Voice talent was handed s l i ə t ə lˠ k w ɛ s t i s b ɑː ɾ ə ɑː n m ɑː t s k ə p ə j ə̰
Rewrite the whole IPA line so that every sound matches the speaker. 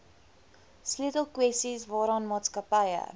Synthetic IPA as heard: s l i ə t ə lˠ k w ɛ s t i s v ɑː ɾ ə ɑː n m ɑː t s k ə p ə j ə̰